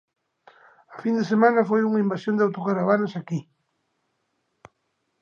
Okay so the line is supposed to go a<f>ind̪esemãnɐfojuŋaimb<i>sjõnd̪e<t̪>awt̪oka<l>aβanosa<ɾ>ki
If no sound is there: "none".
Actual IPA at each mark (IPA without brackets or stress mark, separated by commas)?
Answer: f, a, none, ɾ, none